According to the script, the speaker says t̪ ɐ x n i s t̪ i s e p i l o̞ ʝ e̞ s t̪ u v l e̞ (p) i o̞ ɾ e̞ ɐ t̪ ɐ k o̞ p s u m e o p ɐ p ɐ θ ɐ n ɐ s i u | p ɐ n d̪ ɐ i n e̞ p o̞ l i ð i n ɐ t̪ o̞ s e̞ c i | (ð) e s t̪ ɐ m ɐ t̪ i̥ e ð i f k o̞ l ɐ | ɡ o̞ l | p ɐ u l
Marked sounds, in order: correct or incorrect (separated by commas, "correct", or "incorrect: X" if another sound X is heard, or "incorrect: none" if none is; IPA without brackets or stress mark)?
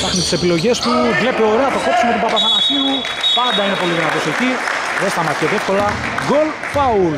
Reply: correct, correct